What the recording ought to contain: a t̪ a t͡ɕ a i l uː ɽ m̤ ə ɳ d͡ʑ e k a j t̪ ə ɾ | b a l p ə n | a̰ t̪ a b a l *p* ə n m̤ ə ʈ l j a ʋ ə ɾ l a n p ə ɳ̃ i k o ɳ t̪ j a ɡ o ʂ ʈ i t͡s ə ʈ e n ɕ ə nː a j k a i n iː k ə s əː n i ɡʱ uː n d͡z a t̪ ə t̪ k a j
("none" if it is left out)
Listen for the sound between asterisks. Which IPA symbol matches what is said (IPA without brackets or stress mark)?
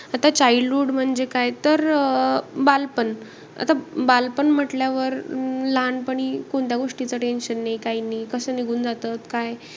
p